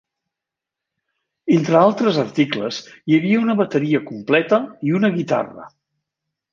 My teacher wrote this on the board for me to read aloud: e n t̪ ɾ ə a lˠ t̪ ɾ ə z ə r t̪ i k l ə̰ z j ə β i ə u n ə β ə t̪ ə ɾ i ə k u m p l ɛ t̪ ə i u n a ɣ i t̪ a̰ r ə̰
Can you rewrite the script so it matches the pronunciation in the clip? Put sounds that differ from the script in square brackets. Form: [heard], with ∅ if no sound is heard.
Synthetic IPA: e n t̪ ɾ ə a lˠ t̪ ɾ ə z ə r t̪ i k l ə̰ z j ə β i ə u n ə β ə t̪ ə ɾ i ə k u m p l ɛ t̪ ə i u n [ə] ɣ i t̪ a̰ r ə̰